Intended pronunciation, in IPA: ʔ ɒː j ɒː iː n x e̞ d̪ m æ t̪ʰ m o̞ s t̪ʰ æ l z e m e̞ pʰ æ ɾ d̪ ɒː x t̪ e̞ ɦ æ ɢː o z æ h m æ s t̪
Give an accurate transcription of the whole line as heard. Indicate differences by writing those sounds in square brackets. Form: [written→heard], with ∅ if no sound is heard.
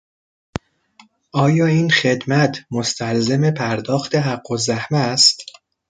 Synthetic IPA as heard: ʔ ɒː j ɒː iː n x e̞ d̪ m æ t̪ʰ m o̞ s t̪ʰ æ l z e m e̞ pʰ æ ɾ d̪ ɒː x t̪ e̞ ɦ æ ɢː o z æ h m æ s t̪